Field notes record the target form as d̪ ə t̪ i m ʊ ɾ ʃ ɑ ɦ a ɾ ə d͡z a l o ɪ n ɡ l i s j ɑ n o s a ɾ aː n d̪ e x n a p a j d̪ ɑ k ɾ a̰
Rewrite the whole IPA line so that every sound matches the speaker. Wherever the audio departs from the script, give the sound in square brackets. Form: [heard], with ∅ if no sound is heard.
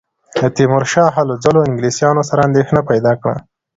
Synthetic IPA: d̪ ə t̪ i m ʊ ɾ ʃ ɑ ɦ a [l] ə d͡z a l o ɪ [ŋ] ɡ l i s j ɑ n o s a ɾ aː n d̪ e x n a p a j d̪ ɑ k [ɽ] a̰